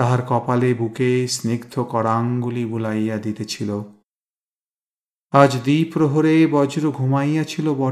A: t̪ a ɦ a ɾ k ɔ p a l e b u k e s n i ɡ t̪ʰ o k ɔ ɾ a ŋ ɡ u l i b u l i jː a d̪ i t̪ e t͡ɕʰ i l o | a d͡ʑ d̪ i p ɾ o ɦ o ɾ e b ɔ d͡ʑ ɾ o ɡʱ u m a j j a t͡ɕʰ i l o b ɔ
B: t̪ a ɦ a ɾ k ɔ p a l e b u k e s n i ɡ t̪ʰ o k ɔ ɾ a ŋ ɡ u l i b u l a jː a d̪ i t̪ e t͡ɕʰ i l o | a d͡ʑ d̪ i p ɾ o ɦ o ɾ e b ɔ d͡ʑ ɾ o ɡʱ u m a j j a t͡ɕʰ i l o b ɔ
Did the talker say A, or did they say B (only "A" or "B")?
B